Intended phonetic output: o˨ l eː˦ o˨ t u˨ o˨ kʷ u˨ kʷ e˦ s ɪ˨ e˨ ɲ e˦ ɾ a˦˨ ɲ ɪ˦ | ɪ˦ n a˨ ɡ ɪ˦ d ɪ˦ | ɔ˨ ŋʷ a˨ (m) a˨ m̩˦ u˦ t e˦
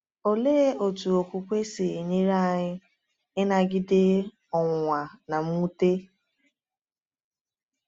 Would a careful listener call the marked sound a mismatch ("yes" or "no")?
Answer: yes